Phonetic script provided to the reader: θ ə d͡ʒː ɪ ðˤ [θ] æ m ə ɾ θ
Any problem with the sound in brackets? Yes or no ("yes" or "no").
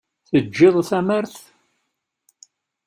no